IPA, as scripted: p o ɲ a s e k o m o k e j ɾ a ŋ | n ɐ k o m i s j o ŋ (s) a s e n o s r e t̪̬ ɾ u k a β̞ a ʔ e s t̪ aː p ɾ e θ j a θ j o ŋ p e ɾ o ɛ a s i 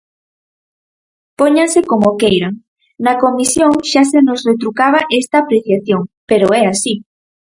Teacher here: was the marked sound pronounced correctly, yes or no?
no